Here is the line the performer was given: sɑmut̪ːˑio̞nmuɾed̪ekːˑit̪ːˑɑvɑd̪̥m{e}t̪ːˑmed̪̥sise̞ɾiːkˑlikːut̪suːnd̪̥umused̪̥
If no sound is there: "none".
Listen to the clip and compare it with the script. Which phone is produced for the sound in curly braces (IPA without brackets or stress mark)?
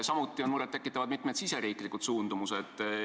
i